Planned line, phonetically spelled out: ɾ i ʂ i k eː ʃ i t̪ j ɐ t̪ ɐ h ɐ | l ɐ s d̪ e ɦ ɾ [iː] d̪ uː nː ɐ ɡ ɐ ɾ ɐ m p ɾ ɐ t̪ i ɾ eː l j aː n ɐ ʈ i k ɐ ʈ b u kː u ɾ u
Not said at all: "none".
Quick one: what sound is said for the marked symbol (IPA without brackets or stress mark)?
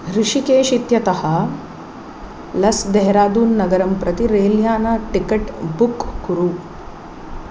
aː